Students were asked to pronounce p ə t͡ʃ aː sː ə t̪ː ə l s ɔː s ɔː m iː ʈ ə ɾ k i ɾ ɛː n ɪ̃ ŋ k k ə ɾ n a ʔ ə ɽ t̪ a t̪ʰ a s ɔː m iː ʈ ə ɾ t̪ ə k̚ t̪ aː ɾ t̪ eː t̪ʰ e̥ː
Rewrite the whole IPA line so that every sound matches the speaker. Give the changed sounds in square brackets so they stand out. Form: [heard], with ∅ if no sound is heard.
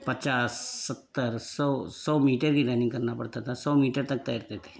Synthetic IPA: p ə t͡ʃ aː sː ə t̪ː ə [ɾ] s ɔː s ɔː m iː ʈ ə ɾ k i ɾ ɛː n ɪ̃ ŋ [ɡ] k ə ɾ n a [p] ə ɽ t̪ a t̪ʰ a s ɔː m iː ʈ ə ɾ t̪ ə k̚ t̪ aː ɾ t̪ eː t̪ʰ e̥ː